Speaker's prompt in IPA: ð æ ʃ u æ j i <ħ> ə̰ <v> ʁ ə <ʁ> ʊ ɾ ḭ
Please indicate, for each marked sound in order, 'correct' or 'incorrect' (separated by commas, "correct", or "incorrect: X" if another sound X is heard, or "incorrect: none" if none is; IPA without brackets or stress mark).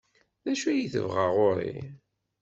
incorrect: θ, correct, correct